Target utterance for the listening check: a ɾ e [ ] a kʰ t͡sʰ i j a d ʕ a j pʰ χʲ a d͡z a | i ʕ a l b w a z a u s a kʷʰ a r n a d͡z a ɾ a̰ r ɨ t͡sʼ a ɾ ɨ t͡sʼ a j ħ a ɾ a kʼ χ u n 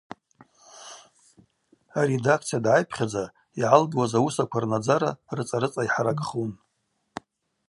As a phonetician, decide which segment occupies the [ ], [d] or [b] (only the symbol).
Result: d